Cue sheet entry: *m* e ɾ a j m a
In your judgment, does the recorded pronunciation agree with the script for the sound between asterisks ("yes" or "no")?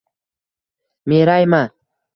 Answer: yes